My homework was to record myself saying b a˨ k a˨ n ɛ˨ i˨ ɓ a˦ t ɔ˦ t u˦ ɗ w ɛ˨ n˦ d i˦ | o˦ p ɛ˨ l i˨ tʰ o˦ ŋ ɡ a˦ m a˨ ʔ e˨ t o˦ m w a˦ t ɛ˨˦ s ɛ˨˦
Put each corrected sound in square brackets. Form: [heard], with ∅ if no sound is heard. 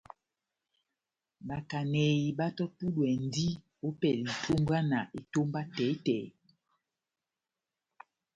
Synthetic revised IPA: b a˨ k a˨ n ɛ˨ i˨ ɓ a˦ t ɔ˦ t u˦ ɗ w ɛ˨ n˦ d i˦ | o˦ p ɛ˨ l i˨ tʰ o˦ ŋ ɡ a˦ [n] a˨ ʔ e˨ t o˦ m [b] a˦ t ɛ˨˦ [t] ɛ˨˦